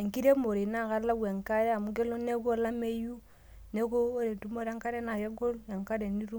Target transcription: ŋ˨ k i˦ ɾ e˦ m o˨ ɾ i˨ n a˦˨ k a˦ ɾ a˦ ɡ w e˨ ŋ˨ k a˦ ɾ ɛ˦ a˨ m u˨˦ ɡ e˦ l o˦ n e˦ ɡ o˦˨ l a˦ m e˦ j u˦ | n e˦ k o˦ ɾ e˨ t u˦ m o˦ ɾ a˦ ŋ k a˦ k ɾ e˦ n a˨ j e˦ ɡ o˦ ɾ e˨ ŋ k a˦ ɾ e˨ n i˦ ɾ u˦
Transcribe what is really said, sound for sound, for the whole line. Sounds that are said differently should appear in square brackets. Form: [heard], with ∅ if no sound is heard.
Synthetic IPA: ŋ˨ k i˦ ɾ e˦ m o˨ ɾ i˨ n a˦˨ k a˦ [l] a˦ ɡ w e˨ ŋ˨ k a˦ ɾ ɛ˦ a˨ m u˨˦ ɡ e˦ l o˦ n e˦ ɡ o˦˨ l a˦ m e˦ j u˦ | n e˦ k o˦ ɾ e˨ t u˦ m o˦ ɾ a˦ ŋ k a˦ [∅] ɾ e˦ n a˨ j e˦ ɡ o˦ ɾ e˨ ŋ k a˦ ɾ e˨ n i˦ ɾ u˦